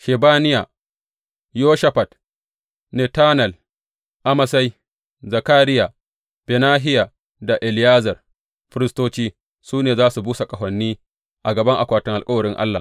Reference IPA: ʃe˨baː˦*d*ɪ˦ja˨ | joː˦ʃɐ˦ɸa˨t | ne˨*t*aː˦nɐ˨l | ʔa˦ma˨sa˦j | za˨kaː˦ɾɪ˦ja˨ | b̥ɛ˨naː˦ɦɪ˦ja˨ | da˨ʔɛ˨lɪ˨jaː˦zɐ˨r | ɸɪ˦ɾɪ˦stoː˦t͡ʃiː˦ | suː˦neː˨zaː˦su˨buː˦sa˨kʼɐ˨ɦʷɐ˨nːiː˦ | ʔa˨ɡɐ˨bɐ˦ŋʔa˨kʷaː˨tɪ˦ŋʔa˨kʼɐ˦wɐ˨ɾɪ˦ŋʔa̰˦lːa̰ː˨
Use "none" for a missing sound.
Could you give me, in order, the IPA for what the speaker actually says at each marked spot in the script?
n, t

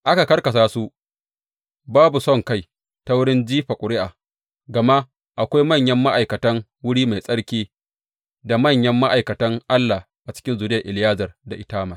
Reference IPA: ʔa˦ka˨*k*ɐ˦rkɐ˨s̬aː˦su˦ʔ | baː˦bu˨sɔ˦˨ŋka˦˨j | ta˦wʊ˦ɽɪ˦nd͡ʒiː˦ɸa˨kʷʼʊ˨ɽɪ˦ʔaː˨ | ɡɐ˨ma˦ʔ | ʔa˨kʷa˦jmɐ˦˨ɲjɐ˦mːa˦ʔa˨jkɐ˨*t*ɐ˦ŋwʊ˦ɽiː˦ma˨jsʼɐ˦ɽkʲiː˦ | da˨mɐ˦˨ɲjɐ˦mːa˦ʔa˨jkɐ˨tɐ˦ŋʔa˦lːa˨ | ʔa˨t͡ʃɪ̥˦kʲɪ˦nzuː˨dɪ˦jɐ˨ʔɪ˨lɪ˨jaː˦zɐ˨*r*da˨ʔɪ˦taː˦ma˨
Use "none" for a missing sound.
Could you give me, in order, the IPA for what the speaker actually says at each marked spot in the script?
k, t, r

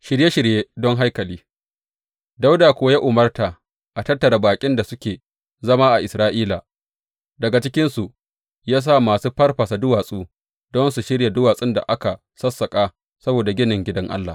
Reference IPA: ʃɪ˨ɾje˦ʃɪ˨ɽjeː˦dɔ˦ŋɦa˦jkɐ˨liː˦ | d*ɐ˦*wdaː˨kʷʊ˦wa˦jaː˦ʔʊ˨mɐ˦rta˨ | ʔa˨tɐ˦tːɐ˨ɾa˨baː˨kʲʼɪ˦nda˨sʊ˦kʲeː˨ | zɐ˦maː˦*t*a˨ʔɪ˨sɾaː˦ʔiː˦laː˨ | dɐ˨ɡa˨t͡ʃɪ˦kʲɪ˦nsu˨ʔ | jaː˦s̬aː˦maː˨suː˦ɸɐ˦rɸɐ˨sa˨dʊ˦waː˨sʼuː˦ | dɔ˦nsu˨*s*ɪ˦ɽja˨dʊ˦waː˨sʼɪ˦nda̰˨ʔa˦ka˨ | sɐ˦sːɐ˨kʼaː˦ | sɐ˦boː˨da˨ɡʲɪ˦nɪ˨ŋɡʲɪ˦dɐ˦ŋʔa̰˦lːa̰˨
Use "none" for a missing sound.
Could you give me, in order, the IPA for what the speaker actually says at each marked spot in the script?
a˦, ʔ, ʃ

